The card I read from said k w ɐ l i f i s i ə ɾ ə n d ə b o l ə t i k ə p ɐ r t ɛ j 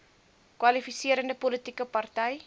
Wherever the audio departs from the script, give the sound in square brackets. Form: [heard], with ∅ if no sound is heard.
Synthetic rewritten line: k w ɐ l i f i s i ə ɾ ə n d ə [p] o l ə t i k ə p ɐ r t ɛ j